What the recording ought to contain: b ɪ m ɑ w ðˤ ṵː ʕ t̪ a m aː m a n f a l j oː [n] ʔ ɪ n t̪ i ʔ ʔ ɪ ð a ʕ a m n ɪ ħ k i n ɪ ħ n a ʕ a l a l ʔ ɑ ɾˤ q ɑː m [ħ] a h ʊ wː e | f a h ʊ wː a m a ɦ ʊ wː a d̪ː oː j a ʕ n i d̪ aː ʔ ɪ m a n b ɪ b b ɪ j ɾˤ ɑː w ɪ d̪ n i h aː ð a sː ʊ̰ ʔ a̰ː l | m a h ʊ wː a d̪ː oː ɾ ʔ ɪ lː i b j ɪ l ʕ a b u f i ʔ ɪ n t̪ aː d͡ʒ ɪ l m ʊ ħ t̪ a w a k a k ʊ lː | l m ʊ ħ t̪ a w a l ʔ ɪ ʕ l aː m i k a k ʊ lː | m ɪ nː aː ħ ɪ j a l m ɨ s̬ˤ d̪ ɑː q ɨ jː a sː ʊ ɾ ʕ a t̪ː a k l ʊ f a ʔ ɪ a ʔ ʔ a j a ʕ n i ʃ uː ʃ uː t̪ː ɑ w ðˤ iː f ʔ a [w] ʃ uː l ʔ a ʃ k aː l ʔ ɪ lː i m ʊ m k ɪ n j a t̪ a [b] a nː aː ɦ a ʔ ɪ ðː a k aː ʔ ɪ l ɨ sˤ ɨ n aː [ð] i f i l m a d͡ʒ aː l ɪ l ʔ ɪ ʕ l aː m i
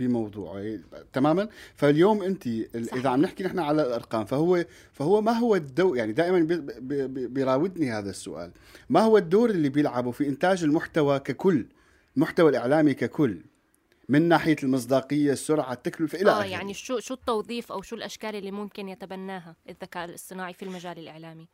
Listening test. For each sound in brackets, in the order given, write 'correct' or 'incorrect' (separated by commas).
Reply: incorrect, incorrect, correct, correct, incorrect